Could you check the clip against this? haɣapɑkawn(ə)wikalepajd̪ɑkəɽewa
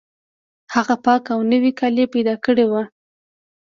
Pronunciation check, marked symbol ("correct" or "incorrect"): correct